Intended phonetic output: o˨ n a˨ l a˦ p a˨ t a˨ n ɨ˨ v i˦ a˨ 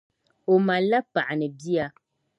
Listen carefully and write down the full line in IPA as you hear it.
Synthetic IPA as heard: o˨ m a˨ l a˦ p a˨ ʔ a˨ n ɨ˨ b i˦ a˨